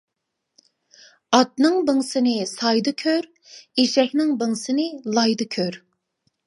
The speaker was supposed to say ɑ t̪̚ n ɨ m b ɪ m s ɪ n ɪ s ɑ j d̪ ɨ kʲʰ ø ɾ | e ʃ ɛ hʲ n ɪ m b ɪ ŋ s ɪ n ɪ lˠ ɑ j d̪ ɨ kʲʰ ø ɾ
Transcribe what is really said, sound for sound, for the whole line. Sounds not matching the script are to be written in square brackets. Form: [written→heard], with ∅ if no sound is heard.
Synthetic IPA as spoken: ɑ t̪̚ n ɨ [m→ŋ] b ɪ [m→ŋ] s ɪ n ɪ s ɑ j d̪ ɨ kʲʰ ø ɾ | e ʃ ɛ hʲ n ɪ [m→ŋ] b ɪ ŋ s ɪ n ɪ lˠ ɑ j d̪ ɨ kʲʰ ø ɾ

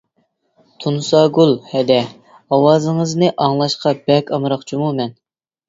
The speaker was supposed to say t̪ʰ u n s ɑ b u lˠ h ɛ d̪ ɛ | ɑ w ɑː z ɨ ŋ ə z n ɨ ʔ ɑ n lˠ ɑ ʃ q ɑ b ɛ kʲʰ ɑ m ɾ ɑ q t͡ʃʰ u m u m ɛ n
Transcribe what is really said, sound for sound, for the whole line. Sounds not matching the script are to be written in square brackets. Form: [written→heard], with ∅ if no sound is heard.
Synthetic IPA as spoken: t̪ʰ u n s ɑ [b→ɡ] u lˠ h ɛ d̪ ɛ | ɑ w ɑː z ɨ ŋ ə z n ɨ ʔ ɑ [n→ŋ] lˠ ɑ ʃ q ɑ b ɛ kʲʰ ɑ m ɾ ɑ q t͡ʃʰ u m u m ɛ n

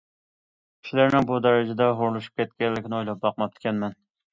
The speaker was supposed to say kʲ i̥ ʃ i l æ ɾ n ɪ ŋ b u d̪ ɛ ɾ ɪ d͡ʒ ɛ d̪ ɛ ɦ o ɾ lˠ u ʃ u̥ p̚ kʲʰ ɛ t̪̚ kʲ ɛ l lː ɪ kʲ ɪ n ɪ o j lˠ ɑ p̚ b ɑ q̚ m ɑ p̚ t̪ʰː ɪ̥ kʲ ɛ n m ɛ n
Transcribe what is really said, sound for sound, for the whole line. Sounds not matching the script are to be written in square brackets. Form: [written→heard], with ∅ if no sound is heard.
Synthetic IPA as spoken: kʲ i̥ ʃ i l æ ɾ n ɪ ŋ b u d̪ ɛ ɾ ɪ d͡ʒ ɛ d̪ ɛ ɦ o ɾ lˠ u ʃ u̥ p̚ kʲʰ ɛ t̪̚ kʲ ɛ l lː ɪ kʲ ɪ n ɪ o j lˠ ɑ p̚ b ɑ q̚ m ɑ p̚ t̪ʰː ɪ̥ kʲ ɛ n m ɛ n

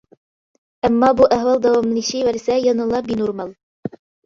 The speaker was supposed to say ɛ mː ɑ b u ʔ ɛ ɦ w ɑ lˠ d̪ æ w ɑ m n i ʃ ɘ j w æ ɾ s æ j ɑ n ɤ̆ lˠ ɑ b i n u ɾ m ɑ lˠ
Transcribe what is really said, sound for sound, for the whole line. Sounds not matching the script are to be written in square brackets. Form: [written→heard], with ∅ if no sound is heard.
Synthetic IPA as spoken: [ɛ→æ] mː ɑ b u ʔ [ɛ→æ] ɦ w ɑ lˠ d̪ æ w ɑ m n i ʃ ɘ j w æ ɾ s æ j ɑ n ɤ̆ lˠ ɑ b i n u ɾ m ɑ lˠ

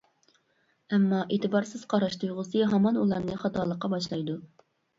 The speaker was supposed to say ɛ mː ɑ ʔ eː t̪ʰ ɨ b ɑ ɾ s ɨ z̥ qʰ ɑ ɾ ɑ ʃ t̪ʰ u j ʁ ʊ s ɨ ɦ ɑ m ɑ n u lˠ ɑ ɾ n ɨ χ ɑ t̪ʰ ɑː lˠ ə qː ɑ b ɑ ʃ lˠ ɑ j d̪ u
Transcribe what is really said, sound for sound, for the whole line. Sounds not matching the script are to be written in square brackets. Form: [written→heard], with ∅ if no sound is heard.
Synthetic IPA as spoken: ɛ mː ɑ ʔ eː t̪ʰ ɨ b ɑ ɾ s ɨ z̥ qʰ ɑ ɾ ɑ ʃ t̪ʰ u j ʁ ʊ s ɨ ɦ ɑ m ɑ n u lˠ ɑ ɾ n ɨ χ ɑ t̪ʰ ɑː lˠ ə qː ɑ b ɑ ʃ lˠ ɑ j d̪ u

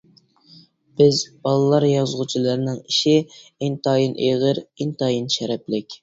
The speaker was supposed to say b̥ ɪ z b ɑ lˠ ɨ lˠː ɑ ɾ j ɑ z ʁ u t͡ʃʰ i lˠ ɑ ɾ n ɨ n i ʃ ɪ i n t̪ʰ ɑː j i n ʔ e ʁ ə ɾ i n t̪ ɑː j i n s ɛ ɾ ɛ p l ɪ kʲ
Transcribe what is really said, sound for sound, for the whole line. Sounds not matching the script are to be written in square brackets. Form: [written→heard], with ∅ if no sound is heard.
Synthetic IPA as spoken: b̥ ɪ z b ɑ lˠ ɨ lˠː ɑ ɾ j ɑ z ʁ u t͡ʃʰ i lˠ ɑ ɾ n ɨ [n→ŋ] i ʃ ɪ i n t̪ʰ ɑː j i n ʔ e ʁ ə ɾ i n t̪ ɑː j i n [s→ʃ] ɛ ɾ ɛ p l ɪ kʲ

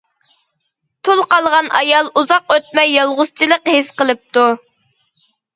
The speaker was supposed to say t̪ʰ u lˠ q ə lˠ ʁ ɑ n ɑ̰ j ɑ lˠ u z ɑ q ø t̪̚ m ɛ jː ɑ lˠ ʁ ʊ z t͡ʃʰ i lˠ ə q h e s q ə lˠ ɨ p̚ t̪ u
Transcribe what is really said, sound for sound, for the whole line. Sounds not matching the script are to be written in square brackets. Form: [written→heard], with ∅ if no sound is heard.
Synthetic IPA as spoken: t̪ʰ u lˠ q [ə→ɑ] lˠ ʁ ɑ n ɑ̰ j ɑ lˠ u z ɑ q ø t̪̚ m ɛ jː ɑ lˠ ʁ ʊ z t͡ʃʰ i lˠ ə q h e s q ə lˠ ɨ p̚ t̪ u

